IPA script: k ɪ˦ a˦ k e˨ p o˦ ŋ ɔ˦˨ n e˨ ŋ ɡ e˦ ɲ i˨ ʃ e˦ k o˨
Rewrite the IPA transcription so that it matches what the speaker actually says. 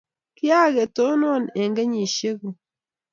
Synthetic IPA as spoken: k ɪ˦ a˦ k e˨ t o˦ n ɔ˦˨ n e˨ ŋ ɡ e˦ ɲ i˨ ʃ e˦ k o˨

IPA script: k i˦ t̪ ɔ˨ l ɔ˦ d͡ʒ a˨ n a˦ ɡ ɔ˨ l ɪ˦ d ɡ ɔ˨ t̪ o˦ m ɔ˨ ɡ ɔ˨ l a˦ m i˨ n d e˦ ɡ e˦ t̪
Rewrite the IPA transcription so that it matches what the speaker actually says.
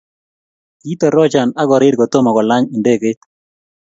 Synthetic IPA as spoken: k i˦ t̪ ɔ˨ ɾ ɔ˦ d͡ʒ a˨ n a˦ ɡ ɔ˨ ɾ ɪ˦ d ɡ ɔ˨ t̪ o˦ m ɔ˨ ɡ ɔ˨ l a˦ ɲ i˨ n d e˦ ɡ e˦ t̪

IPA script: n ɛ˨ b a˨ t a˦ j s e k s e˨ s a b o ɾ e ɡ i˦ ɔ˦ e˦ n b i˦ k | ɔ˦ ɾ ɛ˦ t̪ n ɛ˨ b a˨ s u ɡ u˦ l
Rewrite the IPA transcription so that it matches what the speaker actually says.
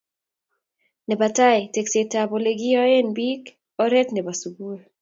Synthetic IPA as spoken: n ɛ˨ b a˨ t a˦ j t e k s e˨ t a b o l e ɡ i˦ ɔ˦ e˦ n b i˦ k | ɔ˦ ɾ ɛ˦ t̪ n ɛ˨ b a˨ s u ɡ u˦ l

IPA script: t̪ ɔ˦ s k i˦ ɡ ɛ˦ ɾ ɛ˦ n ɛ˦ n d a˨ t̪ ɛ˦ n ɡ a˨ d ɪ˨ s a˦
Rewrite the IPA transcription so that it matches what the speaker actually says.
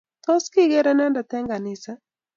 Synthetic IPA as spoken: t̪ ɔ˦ s k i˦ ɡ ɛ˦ ɾ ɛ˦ n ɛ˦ n d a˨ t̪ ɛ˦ ŋ ɡ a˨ n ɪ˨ s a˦

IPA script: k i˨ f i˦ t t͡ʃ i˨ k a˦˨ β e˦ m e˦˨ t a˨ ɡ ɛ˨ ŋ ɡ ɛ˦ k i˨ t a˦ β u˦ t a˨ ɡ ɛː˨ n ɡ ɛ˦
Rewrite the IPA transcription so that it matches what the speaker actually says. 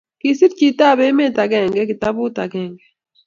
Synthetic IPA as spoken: k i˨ s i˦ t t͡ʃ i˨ t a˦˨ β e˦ m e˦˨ t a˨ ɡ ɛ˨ ŋ ɡ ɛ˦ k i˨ t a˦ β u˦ t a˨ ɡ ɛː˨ ŋ ɡ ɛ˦

